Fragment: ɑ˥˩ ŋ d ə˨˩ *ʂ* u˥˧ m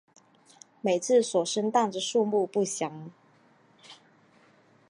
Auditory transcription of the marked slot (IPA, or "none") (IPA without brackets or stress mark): ʂ